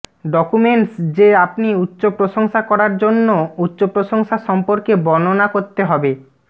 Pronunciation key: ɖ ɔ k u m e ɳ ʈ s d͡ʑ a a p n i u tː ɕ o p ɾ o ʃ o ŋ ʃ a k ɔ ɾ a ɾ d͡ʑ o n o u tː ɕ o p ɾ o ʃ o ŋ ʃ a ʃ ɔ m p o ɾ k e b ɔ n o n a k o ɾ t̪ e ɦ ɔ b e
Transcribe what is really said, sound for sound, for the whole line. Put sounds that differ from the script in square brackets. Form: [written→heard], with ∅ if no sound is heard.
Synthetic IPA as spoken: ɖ ɔ k u m e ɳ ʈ s d͡ʑ [a→e] a p n i u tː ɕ o p ɾ o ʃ o ŋ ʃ a k ɔ ɾ a ɾ d͡ʑ o [n→nː] o u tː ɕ o p ɾ o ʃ o ŋ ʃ a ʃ ɔ m p o ɾ k e b ɔ n o n a k o ɾ t̪ e ɦ ɔ b e